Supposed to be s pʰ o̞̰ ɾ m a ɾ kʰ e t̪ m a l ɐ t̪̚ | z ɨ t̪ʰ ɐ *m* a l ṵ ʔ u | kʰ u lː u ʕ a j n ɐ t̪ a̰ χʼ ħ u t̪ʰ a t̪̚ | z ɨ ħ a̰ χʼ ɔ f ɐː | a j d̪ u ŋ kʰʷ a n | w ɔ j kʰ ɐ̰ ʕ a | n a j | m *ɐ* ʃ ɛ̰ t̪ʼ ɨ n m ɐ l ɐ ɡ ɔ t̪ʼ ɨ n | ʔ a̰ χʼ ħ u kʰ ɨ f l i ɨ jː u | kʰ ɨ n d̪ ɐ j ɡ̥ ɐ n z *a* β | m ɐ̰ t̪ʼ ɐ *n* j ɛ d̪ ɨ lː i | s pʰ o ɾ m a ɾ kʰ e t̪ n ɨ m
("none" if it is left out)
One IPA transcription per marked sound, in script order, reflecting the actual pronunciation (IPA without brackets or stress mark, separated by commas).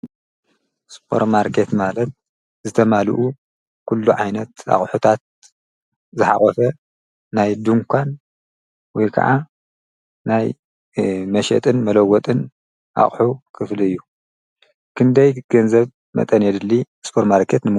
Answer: m, ɐ, ɐ, n